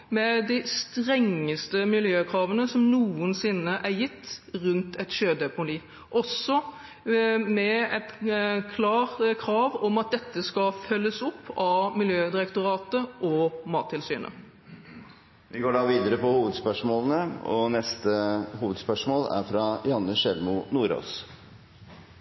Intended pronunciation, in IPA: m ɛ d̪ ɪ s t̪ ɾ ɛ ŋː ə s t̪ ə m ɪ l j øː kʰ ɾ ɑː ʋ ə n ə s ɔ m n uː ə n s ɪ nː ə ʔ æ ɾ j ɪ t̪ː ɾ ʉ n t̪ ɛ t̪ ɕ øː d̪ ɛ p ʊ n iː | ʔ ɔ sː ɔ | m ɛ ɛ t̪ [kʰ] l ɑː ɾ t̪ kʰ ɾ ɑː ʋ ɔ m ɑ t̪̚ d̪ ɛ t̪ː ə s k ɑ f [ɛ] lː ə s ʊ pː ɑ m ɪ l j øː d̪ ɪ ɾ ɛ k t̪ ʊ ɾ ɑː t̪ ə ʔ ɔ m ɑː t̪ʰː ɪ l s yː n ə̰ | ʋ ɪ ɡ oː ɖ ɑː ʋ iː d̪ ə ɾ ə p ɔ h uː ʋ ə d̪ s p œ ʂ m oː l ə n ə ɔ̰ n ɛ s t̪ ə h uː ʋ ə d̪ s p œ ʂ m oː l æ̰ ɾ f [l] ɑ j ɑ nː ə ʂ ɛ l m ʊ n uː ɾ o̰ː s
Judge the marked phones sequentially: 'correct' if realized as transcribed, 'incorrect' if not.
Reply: correct, incorrect: œ, incorrect: ɾ

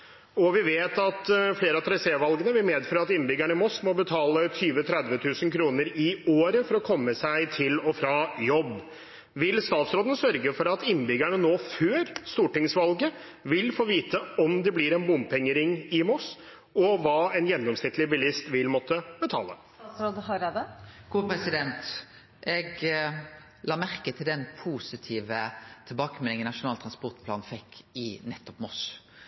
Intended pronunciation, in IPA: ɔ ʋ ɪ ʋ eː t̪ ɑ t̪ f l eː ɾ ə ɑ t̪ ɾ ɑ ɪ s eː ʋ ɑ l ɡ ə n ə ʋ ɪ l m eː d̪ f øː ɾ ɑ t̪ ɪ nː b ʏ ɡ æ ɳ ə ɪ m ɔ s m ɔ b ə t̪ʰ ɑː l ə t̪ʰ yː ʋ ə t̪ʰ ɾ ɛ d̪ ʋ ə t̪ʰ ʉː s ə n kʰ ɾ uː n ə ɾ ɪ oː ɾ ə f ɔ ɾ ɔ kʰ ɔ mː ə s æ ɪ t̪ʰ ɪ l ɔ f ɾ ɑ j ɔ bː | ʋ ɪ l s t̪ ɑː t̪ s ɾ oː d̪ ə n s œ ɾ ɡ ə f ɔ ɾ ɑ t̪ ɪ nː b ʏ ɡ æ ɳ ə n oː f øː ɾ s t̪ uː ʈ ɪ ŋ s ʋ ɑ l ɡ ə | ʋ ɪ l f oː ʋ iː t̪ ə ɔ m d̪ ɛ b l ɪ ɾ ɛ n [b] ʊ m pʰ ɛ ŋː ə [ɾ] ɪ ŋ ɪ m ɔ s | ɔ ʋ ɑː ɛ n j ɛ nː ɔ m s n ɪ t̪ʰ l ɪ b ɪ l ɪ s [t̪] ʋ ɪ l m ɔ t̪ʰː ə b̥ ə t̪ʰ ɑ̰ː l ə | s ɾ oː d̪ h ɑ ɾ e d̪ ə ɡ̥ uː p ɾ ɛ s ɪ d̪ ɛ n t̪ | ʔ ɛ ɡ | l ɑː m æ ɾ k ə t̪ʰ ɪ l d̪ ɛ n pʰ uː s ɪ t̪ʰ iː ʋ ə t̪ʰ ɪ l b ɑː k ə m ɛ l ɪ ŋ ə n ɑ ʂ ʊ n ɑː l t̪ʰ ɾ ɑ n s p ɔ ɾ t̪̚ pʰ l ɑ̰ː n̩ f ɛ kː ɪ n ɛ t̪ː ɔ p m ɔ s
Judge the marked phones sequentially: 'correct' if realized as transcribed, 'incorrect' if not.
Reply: correct, correct, correct

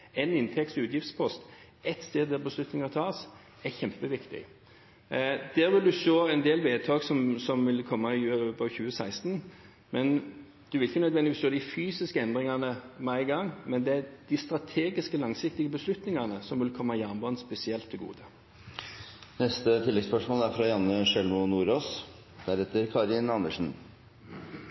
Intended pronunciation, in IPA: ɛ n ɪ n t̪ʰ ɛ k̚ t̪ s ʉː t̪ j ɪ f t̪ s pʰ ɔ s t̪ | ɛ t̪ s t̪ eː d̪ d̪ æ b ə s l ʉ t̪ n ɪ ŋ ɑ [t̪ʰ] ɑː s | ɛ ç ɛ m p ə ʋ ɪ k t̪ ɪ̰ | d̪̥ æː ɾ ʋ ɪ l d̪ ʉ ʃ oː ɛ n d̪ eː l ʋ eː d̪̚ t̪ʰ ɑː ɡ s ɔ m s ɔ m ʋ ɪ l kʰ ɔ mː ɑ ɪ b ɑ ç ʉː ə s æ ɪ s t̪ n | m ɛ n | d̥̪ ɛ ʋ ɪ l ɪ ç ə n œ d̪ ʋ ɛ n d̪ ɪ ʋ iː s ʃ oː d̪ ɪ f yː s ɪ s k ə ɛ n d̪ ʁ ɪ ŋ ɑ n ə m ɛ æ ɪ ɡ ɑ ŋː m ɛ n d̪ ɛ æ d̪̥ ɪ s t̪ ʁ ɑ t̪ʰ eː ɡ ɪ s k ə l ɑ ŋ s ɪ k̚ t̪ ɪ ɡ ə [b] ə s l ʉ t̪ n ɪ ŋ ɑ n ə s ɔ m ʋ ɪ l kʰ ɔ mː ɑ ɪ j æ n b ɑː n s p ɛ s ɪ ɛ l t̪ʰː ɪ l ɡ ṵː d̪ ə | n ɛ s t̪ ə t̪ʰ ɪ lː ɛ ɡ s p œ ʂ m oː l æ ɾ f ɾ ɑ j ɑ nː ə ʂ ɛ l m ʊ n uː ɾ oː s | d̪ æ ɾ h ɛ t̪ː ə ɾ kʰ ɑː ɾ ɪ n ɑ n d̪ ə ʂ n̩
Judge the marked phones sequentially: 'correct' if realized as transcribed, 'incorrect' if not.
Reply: correct, correct

